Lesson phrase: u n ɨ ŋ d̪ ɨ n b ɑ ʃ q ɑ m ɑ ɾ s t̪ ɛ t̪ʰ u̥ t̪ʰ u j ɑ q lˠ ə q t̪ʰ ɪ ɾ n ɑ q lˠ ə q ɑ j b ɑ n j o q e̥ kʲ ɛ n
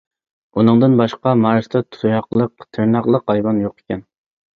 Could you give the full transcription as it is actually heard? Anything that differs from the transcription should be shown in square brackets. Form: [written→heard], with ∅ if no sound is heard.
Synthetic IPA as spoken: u n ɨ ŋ d̪ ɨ n b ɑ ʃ q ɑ m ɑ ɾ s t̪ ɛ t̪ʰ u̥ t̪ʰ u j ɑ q lˠ ə q t̪ʰ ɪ ɾ n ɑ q lˠ ə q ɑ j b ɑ n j o q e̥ kʲ ɛ n